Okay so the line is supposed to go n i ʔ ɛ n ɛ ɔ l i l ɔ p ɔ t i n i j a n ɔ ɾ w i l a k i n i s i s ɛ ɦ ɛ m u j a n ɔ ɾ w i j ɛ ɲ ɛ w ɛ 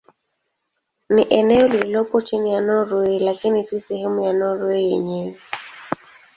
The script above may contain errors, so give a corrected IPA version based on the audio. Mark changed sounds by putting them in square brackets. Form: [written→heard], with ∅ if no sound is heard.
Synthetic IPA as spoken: n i ʔ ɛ n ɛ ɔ l i l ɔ p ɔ [t→t͡ʃ] i n i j a n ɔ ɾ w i l a k i n i s i s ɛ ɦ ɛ m u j a n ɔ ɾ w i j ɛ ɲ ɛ w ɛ